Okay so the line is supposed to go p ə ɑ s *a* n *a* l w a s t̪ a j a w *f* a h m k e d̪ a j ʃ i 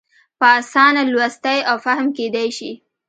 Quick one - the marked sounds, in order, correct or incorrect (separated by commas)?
incorrect, correct, correct